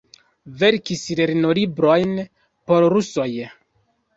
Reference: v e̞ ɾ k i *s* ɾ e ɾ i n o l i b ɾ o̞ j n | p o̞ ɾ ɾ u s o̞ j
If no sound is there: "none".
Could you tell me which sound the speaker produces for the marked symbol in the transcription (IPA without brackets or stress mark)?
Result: s